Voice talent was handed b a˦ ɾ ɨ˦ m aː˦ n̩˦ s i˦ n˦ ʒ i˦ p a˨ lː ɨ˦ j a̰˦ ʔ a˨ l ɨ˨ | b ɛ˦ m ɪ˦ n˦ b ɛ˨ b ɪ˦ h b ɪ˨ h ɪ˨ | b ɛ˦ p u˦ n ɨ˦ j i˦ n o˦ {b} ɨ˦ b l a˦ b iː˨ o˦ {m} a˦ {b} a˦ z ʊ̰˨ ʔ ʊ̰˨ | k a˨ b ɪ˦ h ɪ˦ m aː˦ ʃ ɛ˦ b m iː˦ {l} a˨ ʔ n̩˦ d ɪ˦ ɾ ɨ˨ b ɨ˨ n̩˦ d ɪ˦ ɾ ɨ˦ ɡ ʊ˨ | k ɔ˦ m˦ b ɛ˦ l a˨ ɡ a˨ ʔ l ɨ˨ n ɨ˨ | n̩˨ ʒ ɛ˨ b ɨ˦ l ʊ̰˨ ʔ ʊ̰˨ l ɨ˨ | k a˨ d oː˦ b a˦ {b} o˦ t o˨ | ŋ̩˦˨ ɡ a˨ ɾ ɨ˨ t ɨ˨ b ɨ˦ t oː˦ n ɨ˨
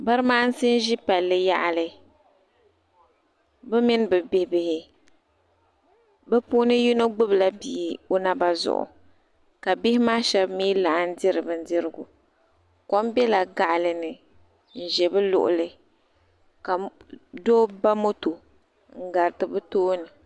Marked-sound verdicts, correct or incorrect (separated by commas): incorrect, incorrect, correct, correct, incorrect